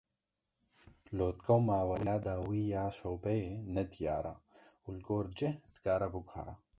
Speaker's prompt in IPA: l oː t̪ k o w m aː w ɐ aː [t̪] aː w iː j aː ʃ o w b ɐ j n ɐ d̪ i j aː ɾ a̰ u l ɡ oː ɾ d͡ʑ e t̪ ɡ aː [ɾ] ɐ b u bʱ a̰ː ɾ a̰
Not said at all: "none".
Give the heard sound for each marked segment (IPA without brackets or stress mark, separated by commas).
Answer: d̪, ɾ